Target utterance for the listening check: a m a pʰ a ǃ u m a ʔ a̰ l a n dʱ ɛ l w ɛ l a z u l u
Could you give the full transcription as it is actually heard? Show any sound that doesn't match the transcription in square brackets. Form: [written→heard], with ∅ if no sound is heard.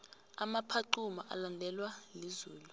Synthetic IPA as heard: a m a pʰ a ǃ u m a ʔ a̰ l a n dʱ ɛ l w [ɛ→a] l [a→i] z [u→uː] l u